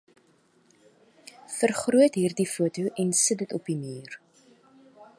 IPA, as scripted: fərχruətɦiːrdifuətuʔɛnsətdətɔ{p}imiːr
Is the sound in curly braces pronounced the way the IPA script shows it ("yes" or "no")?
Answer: yes